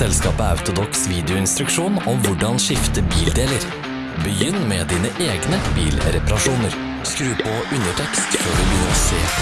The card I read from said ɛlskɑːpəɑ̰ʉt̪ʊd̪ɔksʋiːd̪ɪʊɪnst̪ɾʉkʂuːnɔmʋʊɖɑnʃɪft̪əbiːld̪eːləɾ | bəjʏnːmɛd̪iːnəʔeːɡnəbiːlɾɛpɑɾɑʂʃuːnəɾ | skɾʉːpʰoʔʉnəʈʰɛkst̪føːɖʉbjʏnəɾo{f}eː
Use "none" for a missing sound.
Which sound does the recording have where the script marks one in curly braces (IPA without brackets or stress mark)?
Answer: s